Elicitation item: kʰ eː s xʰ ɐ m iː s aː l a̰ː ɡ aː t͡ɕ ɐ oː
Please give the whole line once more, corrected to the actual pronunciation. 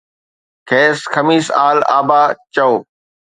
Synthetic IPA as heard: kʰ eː s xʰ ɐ m iː s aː l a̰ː b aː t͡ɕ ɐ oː